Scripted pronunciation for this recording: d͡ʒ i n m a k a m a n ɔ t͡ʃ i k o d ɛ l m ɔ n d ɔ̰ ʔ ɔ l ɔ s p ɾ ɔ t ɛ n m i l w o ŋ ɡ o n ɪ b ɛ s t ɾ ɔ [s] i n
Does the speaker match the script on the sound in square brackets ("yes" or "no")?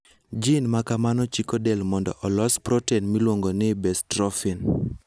no